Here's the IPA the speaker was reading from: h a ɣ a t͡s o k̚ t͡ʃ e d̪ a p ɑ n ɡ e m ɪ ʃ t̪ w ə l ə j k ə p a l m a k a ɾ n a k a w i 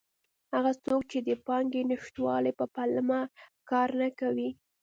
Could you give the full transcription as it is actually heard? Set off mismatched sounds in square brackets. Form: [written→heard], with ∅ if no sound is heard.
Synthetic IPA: h a ɣ a t͡s o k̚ t͡ʃ e d̪ [a→ə] p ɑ [n→ŋ] ɡ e [m→n] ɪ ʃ t̪ w [ə→ɑ] l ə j [k→p] ə p a l m a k [a→ɑ] ɾ n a k a w i